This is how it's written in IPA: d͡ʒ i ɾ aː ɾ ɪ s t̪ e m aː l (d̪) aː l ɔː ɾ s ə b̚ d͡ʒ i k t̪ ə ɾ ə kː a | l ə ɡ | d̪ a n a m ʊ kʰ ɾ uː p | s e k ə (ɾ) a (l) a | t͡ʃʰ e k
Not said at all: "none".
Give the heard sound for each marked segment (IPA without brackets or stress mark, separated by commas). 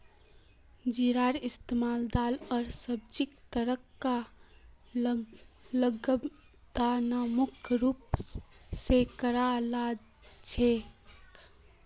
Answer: d̪, ɾ, l